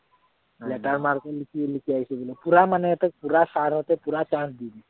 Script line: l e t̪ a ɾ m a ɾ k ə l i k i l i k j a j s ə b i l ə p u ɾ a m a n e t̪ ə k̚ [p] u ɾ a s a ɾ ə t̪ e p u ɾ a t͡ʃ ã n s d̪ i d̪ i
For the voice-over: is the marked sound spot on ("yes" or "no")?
yes